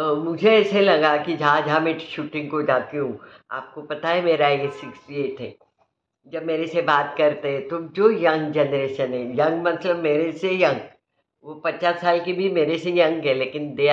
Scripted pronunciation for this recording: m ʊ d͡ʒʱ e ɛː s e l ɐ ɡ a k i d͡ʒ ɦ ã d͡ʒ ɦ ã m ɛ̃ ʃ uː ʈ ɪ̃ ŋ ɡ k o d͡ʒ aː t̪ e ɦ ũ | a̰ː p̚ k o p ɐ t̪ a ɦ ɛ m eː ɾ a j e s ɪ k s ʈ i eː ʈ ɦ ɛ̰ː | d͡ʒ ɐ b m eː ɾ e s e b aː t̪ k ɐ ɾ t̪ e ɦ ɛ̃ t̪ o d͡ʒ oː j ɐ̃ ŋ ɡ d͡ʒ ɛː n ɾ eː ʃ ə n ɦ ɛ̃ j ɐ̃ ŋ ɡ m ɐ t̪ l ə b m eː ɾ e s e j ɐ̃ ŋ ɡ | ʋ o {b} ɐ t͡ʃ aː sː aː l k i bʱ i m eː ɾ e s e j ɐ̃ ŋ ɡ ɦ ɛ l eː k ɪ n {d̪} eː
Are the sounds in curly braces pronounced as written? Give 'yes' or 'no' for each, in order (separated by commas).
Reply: no, yes